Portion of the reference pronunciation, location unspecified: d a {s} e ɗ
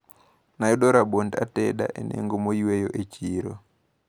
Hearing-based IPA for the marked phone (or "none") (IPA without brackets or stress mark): t